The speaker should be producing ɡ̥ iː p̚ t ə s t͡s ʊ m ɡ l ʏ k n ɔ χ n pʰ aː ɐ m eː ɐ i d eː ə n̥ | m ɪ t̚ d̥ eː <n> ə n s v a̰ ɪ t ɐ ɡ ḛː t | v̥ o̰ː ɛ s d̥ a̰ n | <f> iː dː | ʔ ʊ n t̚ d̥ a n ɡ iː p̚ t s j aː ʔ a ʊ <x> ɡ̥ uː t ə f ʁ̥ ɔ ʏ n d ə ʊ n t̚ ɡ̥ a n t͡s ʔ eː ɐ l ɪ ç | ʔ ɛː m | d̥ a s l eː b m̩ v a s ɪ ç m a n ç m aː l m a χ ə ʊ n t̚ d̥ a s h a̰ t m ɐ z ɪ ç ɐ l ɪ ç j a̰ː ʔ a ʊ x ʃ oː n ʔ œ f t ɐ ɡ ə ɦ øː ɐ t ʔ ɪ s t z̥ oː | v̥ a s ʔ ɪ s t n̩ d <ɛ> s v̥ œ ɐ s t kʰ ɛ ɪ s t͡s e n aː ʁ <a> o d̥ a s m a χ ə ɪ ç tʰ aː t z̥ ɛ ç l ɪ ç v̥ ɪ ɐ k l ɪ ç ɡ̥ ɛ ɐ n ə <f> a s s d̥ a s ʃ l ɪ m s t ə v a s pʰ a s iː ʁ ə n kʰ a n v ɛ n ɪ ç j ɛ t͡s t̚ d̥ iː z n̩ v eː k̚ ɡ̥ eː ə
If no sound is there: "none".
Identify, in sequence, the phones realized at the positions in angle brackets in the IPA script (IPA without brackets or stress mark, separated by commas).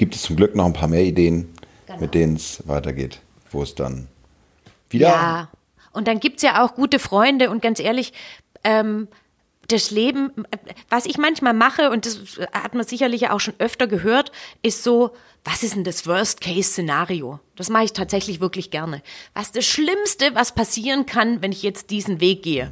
n, v, x, a, i, v